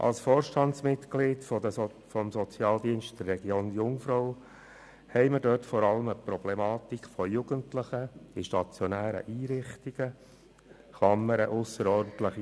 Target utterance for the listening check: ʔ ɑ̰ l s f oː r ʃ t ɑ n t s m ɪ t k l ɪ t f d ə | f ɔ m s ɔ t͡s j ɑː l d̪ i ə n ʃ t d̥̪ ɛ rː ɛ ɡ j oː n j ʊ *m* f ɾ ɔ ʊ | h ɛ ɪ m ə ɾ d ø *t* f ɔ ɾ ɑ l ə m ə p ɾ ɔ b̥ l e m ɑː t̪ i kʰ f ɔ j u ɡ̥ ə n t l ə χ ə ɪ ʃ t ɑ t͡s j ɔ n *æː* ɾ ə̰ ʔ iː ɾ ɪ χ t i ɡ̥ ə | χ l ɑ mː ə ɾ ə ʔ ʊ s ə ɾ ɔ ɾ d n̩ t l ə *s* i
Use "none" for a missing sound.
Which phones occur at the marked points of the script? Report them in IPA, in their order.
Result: ŋ, t, æː, χ

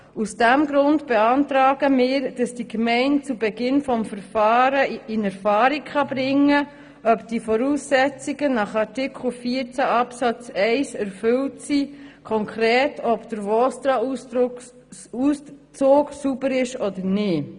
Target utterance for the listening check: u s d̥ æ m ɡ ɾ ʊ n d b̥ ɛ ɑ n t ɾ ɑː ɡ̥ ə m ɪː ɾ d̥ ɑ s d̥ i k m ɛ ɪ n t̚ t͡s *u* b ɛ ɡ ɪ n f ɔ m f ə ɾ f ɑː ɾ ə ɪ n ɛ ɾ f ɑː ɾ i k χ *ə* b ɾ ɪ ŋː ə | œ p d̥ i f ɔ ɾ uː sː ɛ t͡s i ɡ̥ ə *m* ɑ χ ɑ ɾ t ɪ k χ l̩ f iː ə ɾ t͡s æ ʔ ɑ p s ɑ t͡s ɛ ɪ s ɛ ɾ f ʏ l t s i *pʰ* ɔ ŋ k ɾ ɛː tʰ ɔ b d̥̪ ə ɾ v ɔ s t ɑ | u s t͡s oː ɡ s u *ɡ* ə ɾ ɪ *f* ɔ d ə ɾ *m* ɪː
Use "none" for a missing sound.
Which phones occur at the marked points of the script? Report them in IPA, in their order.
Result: u, ɑ, n, kʰ, b, ʃ, n

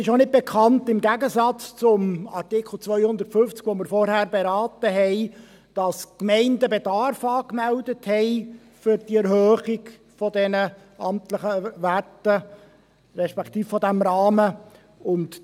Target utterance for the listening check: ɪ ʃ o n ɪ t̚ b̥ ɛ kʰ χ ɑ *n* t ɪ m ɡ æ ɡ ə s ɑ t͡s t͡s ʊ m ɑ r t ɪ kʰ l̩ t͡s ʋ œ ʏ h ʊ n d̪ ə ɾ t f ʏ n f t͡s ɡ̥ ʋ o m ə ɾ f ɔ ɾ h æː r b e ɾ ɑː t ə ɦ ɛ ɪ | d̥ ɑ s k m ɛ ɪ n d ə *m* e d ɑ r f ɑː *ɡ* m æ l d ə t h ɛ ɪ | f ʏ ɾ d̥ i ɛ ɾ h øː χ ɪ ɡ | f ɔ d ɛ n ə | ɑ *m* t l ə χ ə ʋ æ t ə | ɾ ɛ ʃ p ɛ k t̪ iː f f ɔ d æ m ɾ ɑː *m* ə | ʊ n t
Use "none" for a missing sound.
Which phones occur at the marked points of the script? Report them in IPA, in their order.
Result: n, b, k, m, m

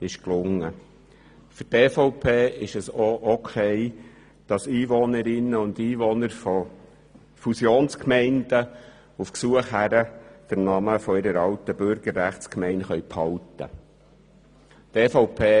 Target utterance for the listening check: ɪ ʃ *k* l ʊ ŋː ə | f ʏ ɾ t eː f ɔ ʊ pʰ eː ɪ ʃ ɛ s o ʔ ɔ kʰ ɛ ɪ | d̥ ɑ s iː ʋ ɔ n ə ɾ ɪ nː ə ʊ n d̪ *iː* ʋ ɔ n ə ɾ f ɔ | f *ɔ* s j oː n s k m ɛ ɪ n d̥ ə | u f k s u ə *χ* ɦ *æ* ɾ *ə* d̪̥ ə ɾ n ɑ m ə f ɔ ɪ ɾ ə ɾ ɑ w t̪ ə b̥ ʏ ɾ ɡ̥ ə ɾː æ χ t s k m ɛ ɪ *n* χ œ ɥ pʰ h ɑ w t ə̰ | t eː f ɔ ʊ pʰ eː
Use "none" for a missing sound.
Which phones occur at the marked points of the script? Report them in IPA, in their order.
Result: k, iː, u, χ, æ, ə, n

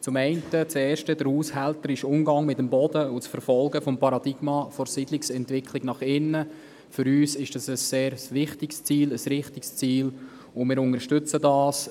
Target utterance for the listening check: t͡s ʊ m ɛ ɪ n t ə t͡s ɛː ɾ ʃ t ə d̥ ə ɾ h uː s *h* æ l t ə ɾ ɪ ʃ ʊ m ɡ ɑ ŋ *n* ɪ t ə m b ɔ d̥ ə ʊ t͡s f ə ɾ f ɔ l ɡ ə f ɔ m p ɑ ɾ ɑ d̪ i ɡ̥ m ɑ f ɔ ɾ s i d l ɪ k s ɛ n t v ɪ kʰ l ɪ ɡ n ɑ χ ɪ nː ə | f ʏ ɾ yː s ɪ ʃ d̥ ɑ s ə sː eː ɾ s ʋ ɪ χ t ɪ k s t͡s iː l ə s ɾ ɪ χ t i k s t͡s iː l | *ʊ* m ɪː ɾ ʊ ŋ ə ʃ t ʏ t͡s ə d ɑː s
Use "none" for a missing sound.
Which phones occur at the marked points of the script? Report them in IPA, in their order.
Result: h, m, ʊ

